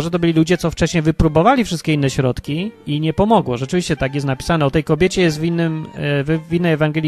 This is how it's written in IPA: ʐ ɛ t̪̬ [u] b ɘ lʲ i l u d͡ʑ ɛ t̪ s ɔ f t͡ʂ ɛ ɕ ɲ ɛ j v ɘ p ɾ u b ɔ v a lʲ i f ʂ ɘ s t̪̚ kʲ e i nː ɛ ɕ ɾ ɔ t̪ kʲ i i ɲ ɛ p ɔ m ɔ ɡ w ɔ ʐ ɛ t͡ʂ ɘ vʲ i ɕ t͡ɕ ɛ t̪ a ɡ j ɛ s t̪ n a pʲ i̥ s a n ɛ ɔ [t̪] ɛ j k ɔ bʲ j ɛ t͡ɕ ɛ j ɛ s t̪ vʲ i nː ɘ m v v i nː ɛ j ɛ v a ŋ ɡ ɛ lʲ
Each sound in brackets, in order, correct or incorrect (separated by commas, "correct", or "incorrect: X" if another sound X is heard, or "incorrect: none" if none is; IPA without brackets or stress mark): incorrect: ɔ, correct